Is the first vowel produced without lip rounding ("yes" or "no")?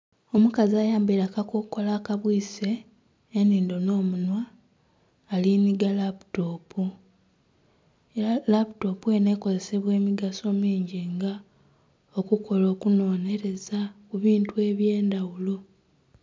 no